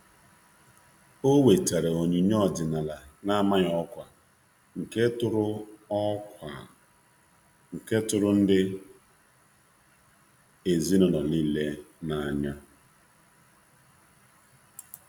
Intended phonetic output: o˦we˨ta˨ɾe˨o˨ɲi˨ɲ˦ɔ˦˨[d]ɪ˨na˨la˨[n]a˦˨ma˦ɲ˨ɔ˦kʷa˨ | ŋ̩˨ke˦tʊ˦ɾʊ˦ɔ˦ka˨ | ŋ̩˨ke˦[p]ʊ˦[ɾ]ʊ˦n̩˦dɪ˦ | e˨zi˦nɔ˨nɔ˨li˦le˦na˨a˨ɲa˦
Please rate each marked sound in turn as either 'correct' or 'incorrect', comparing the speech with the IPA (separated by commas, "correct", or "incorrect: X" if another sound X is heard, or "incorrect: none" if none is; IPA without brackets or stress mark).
correct, correct, incorrect: t, correct